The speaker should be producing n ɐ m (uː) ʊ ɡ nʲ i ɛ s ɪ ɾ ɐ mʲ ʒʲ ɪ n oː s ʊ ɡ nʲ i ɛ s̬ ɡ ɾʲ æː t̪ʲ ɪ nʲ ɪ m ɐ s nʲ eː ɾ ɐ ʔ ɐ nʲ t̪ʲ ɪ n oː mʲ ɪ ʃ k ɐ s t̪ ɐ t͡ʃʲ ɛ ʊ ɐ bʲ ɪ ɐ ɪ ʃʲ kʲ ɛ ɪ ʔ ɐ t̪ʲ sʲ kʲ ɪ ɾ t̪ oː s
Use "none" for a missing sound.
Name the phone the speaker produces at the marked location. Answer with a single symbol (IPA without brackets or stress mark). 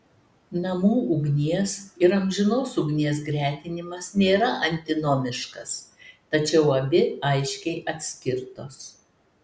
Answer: uː